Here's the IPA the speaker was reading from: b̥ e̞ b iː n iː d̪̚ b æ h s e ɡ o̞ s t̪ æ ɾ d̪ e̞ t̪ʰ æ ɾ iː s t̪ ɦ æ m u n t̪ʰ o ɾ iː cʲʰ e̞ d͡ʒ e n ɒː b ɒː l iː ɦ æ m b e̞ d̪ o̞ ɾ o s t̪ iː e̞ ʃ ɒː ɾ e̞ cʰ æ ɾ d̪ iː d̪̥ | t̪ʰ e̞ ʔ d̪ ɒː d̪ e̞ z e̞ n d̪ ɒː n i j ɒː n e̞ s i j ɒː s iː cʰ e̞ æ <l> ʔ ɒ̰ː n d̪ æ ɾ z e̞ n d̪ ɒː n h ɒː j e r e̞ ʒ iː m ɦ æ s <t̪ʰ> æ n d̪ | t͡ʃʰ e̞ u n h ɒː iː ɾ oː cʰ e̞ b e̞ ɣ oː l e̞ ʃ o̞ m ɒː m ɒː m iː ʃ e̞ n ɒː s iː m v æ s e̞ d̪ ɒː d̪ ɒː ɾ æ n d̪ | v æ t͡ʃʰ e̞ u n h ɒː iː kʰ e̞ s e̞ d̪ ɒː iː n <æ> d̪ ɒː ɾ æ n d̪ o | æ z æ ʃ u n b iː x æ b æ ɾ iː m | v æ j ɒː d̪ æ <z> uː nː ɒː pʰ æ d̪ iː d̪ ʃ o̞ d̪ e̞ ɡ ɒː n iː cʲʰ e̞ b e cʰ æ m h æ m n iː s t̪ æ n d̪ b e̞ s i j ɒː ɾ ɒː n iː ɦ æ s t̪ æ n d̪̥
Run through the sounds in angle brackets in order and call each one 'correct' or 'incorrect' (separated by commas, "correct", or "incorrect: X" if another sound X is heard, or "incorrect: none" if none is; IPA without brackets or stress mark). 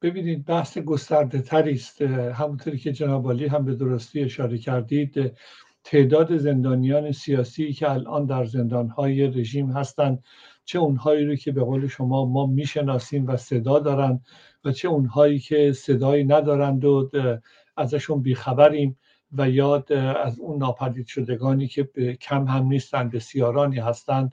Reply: correct, incorrect: t̪, correct, correct